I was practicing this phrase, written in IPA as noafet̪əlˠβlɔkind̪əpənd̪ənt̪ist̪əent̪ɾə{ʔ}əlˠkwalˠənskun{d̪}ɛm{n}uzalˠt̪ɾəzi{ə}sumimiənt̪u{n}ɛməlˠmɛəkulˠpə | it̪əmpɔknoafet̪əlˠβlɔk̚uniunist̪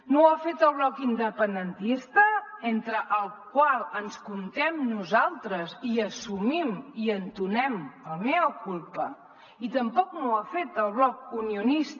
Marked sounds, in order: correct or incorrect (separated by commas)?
correct, incorrect, correct, correct, correct